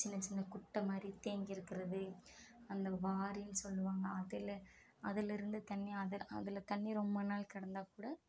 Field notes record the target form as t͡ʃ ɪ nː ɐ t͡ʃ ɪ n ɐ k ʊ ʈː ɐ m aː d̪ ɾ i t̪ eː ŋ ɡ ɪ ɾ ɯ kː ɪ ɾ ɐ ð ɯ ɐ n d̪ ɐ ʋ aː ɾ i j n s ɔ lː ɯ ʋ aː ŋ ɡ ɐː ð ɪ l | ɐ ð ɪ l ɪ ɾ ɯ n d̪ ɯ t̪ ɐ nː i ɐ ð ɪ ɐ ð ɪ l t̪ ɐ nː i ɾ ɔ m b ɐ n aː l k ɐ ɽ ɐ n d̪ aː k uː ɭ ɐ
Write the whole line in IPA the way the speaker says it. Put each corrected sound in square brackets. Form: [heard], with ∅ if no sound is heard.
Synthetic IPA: t͡ʃ ɪ nː ɐ t͡ʃ ɪ [nː] ɐ k ʊ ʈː ɐ m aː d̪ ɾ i t̪ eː ŋ ɡ ɪ ɾ ɯ kː ɪ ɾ ɐ ð ɯ ɐ n d̪ ɐ ʋ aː ɾ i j n s ɔ lː ɯ ʋ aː ŋ ɡ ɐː ð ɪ l | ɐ ð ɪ l ɪ ɾ ɯ n d̪ ɯ t̪ ɐ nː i ɐ ð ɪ ɐ ð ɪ l t̪ ɐ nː i ɾ ɔ m b ɐ n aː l k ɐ ɽ ɐ n d̪ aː k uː [ɽ] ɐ